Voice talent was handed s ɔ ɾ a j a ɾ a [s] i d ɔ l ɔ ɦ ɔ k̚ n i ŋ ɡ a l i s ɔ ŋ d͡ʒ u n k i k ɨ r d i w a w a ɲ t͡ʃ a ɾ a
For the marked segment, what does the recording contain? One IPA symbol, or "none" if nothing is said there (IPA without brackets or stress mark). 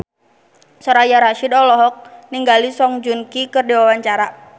ʃ